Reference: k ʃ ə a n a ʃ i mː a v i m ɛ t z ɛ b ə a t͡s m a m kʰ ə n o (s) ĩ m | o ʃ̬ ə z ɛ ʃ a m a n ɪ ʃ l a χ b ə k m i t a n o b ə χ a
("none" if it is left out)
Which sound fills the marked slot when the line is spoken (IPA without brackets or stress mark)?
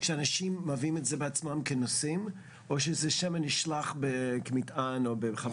s